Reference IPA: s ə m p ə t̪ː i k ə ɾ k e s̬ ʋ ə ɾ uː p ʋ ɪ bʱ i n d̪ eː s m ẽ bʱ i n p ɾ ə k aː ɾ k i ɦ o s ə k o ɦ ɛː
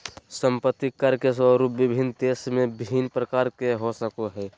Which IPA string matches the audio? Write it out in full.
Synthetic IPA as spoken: s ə m p ə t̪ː i k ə ɾ k e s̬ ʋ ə ɾ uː p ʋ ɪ bʱ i n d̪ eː s m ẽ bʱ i n p ɾ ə k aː ɾ k e ɦ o s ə k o ɦ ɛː